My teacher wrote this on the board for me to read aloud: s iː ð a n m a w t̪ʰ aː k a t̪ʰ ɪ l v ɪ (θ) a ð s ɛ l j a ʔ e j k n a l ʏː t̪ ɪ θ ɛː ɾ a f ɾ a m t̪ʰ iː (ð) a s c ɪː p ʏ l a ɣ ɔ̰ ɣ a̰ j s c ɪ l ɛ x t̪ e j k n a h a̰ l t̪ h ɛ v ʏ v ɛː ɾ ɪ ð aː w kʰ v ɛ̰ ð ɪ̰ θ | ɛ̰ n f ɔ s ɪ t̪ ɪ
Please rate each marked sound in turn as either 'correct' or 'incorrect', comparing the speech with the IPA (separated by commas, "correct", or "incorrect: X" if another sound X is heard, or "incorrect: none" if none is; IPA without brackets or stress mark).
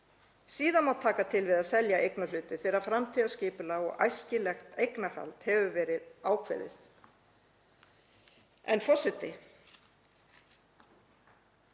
incorrect: ð, correct